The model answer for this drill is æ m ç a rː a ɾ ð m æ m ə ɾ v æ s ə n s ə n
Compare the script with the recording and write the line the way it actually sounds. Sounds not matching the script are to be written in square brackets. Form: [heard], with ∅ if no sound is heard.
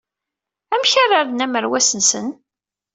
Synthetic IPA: æ m ç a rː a ɾ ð [n] æ m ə ɾ [w] æ s ə n s ə n